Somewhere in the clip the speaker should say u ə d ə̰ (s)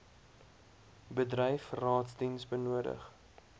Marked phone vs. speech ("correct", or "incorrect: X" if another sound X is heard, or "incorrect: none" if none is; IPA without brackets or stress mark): incorrect: χ